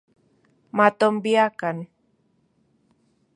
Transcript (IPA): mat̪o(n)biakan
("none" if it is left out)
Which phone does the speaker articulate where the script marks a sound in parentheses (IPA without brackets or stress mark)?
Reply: m